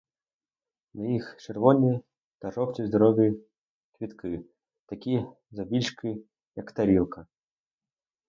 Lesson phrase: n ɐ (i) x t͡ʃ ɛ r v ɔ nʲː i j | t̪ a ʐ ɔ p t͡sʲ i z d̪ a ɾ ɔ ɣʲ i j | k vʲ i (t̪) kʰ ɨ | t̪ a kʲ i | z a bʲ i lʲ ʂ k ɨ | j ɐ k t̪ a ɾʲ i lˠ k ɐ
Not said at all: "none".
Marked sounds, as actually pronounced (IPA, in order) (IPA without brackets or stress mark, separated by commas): i, t̪